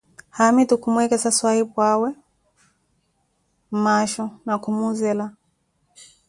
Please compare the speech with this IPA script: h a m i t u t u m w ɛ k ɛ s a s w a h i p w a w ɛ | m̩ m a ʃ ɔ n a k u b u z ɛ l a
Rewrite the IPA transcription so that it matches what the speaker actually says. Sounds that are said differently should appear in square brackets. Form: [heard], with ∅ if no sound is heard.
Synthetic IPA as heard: h a m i t u [k] u m w ɛ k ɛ s a s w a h i p w a w ɛ | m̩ m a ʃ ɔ n a k u [m] u z ɛ l a